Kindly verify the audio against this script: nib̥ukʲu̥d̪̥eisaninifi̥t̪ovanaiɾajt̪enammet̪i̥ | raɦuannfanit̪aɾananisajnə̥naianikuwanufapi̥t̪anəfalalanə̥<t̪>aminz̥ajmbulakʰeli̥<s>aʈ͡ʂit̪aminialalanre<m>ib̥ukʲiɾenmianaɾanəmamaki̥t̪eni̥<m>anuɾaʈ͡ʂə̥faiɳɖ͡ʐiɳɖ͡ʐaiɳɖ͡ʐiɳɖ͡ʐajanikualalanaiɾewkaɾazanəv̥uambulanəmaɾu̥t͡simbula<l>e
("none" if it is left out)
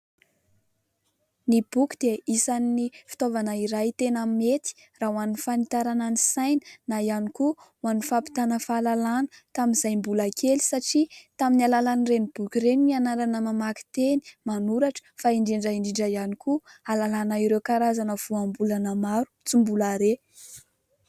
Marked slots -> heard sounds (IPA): t̪, s, n, m, ɾ

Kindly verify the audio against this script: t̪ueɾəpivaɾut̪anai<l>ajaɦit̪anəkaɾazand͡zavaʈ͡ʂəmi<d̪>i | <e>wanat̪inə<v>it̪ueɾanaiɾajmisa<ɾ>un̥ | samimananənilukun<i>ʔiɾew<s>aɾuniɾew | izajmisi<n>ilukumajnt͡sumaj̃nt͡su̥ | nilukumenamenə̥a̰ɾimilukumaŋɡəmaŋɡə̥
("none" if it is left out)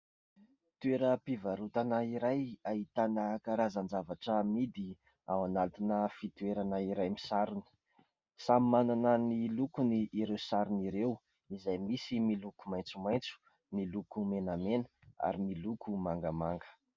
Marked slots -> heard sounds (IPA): ɾ, d̪, a, f, ɾ, i, s, m

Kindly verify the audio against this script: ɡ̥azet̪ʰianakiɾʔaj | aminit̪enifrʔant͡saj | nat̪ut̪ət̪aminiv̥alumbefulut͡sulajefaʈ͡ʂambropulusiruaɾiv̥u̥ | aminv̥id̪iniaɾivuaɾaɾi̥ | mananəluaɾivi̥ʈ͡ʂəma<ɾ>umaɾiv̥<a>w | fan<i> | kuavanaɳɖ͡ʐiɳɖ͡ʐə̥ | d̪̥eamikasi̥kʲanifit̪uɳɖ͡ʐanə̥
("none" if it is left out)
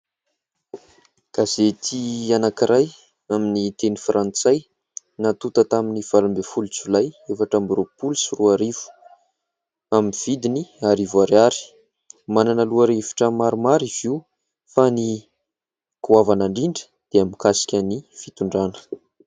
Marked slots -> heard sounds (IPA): ɾ, i, i

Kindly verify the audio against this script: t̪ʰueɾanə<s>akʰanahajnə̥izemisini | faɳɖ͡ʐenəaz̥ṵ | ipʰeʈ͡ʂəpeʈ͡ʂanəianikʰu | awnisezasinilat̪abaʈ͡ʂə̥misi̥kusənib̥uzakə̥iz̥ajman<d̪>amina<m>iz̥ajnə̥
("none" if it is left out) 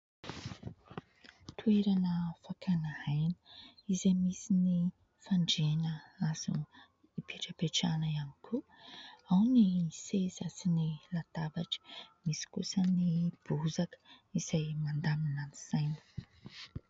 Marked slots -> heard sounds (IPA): f, d̪, n

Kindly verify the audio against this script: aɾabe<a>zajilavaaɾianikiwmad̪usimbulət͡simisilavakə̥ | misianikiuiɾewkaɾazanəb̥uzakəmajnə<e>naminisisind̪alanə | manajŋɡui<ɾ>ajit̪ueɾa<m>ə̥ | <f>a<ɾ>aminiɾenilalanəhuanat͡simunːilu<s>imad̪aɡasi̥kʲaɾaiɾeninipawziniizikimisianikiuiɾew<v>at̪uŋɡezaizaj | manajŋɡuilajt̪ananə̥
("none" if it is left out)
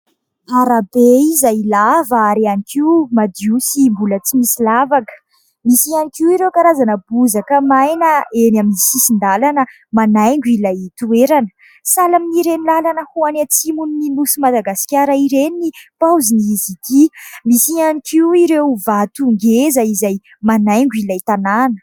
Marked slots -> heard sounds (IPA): i, e, l, n, s, l, s, v

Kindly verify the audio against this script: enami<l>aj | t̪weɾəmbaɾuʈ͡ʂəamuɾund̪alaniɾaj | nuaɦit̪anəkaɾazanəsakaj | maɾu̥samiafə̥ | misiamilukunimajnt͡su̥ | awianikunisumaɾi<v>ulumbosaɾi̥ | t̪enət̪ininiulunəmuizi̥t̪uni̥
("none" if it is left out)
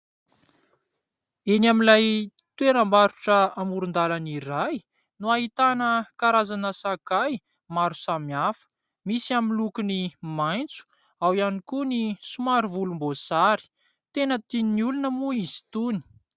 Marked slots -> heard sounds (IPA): l, v

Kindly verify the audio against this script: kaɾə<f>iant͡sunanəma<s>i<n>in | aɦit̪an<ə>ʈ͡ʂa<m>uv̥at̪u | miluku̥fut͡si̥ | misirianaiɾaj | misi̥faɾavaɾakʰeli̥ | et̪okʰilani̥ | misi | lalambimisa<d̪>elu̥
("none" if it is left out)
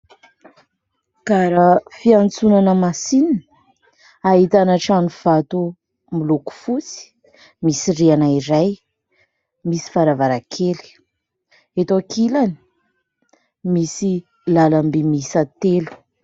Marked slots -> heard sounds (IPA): f, s, n, a, n, t̪

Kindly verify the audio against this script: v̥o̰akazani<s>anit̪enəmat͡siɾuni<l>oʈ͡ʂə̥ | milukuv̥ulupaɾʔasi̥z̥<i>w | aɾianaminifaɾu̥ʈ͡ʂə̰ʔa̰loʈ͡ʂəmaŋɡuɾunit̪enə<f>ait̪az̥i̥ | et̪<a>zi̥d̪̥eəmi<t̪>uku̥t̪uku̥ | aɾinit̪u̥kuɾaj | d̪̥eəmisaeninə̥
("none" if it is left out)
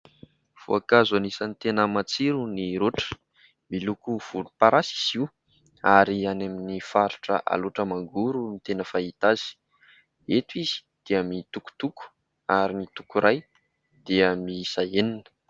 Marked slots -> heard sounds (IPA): s, ɾ, i, f, i, t̪

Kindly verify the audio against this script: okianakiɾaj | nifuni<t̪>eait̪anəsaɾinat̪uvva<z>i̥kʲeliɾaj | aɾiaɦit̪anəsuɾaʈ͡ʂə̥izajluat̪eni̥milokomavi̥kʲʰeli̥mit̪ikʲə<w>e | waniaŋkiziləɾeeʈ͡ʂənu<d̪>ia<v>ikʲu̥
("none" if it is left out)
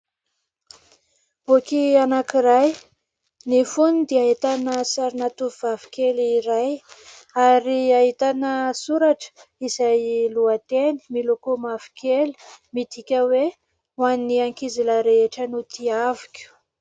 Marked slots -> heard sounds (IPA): d̪, v, w, t̪, v

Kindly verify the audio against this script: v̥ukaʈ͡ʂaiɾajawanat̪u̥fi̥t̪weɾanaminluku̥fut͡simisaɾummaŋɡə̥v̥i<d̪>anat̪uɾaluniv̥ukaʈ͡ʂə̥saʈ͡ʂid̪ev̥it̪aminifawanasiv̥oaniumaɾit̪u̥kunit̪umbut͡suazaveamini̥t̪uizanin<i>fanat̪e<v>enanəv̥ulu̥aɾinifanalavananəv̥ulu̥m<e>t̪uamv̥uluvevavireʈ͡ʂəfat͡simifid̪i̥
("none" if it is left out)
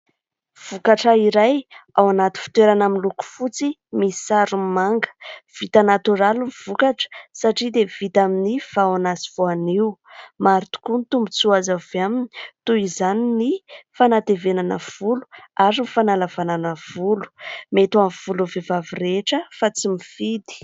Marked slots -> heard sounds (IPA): t̪, i, v, e

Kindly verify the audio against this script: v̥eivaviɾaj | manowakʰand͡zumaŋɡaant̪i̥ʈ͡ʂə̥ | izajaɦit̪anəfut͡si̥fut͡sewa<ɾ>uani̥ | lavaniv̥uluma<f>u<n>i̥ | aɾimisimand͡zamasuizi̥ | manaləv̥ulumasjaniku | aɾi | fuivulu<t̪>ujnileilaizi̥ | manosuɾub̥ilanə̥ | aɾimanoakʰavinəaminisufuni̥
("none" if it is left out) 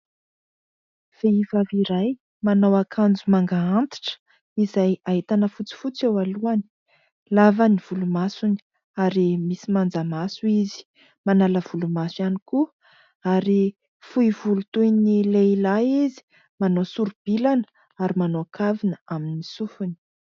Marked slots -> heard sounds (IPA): l, s, n, t̪

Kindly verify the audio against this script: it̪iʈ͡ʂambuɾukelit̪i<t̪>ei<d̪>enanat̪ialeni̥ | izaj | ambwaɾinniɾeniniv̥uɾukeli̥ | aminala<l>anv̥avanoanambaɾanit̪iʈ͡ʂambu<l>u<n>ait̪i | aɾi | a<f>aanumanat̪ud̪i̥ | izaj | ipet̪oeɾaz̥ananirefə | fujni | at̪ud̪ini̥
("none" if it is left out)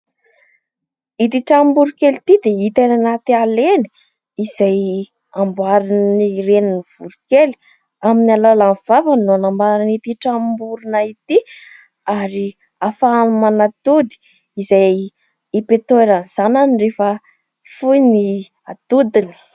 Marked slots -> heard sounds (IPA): d̪, t̪, l, ɾ, n, f

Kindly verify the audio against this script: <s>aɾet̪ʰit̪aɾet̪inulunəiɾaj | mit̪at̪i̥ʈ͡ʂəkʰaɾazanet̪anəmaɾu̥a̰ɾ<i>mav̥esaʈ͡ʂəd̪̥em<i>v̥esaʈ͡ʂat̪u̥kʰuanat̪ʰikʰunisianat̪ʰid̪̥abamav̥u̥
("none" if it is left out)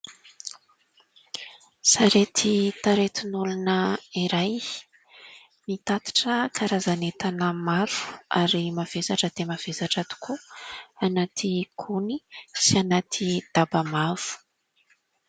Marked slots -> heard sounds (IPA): s, i, a

